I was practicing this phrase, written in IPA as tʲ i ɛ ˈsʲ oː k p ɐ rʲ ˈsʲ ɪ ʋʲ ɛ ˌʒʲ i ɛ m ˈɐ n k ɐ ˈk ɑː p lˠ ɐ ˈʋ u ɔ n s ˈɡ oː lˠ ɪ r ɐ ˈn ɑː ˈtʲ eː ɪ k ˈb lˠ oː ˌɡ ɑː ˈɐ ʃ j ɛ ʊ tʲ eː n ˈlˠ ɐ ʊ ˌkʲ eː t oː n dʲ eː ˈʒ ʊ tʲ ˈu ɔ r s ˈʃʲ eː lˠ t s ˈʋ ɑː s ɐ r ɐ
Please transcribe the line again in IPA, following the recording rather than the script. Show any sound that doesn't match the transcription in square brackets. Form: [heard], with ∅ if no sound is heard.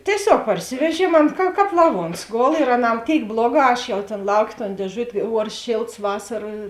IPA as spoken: tʲ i ɛ ˈsʲ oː k p ɐ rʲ ˈsʲ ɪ ʋʲ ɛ ˌʒʲ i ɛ m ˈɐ n k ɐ ˈk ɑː p lˠ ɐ ˈʋ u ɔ n s ˈɡ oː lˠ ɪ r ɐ ˈn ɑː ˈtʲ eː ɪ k ˈb lˠ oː ˌɡ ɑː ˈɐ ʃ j ɛ ʊ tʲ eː n ˈlˠ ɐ ʊ ˌkʲ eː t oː n dʲ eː ˈʒ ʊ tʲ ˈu ɔ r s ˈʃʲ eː lˠ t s ˈʋ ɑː s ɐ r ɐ